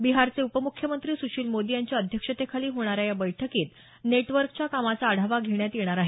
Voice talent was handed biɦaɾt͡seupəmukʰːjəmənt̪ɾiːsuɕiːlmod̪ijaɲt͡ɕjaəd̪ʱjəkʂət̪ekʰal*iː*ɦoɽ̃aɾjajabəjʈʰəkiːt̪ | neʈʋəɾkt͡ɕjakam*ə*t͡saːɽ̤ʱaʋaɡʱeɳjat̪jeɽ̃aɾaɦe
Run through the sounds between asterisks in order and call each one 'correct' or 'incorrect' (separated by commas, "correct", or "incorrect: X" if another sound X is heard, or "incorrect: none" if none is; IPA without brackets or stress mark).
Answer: correct, incorrect: a